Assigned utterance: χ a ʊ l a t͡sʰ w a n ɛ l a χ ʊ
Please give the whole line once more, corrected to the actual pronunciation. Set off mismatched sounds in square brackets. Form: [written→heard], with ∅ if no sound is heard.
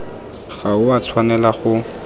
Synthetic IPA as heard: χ a ʊ [l→∅] a t͡sʰ w a n ɛ l a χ ʊ